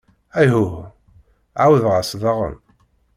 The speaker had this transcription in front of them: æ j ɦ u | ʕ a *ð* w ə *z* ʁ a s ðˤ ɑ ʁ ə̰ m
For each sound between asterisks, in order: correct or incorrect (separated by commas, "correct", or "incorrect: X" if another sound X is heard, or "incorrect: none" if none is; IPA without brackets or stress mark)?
incorrect: none, incorrect: ð